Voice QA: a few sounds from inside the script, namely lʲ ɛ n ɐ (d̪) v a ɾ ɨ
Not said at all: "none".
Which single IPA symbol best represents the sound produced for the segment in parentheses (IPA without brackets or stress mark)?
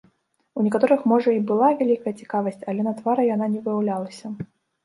t̪